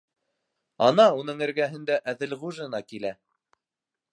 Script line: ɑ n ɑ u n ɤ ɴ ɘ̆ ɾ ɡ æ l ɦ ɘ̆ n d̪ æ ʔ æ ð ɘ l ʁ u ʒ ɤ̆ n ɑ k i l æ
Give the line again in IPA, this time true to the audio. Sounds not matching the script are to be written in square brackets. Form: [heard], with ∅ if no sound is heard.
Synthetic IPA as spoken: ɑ n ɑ u n ɤ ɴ ɘ̆ ɾ ɡ æ [∅] ɦ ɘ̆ n d̪ æ ʔ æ ð ɘ l ʁ u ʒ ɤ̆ n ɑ k i l æ